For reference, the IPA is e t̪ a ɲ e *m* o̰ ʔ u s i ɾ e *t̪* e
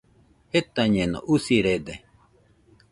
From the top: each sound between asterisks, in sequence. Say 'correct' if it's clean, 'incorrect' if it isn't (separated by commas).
incorrect, incorrect